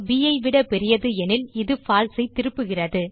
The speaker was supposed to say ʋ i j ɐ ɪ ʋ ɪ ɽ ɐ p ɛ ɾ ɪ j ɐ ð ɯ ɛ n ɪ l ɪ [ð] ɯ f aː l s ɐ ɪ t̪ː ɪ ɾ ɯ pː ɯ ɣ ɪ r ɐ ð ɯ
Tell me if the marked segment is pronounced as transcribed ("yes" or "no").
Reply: yes